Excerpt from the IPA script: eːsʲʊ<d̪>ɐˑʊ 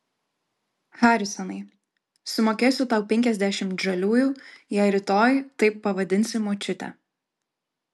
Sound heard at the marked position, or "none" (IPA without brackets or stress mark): t̪